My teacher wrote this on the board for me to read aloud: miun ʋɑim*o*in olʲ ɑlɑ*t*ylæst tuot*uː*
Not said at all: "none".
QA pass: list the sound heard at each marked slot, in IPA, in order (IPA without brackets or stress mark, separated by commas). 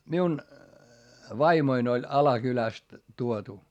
o, k, u